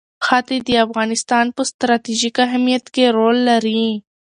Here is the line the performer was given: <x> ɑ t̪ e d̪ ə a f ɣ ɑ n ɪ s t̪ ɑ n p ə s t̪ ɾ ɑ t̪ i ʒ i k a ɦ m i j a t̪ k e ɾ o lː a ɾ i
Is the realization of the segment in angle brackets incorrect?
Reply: no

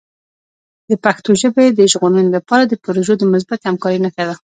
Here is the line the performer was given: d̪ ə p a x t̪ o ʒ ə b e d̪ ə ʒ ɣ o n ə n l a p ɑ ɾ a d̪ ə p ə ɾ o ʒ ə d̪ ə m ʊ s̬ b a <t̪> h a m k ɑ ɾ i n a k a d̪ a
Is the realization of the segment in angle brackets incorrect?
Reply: no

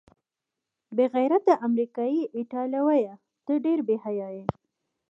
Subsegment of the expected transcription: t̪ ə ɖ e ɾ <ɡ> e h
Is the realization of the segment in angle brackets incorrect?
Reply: yes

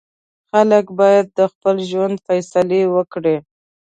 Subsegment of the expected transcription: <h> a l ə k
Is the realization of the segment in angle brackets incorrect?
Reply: yes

